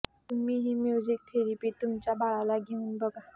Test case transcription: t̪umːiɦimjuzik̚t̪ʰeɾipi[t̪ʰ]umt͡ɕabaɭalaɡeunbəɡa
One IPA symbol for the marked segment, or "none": t̪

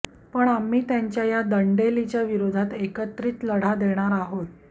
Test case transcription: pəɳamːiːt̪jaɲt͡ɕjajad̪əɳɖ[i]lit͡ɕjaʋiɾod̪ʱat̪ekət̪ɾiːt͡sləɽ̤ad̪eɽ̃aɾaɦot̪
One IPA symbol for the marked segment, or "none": e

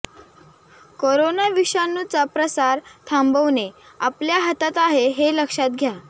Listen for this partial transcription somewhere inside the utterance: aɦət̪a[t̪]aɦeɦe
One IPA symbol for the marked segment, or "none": t̪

